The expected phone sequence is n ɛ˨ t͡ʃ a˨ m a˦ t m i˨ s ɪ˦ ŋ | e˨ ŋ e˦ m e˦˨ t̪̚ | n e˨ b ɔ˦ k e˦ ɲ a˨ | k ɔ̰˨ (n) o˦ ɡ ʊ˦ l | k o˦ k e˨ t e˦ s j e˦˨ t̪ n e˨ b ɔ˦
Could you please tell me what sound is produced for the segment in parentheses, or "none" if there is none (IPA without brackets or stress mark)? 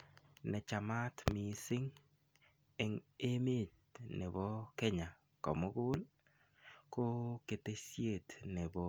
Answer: m